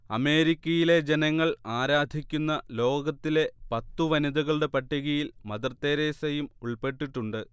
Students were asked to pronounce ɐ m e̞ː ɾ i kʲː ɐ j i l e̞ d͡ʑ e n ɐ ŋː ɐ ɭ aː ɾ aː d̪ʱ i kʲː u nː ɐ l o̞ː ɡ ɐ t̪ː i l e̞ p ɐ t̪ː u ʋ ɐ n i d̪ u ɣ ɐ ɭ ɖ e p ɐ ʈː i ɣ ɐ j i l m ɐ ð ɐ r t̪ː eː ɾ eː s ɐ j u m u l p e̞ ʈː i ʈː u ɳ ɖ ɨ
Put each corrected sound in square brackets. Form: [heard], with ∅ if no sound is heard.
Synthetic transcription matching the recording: ɐ m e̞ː ɾ i kʲː ɐ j i l e̞ d͡ʑ e n ɐ ŋː ɐ ɭ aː ɾ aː d̪ʱ i kʲː u nː ɐ l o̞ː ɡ ɐ t̪ː i l e̞ p ɐ t̪ː u ʋ ɐ n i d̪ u ɣ ɐ ɭ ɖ e p ɐ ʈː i ɣ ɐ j i l m ɐ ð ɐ r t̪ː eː ɾ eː s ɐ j u m u [ɭ] p e̞ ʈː i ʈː u ɳ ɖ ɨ